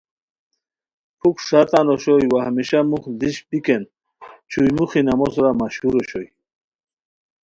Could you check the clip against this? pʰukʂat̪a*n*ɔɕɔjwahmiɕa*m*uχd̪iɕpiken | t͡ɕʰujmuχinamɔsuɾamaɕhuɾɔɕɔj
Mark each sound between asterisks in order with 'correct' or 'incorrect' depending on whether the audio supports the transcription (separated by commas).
correct, correct